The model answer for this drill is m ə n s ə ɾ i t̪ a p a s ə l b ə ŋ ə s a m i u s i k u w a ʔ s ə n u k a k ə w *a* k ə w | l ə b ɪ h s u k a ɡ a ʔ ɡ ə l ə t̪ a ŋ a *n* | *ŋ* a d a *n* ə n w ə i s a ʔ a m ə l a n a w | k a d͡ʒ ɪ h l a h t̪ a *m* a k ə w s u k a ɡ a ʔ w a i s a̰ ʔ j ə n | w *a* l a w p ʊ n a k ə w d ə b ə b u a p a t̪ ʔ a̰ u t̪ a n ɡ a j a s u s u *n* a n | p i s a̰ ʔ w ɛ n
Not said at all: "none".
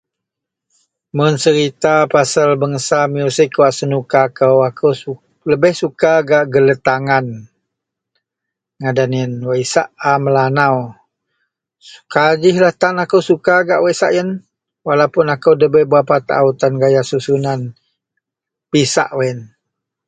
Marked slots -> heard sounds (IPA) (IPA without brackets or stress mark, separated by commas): a, n, ŋ, n, n, a, n